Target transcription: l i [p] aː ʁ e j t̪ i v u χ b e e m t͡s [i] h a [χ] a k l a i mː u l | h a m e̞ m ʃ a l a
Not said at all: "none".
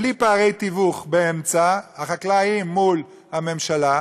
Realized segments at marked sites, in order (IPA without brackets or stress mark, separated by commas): p, a, χ